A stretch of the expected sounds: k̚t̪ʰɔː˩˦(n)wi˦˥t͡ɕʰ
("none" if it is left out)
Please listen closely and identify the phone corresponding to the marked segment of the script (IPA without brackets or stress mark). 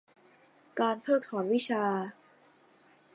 n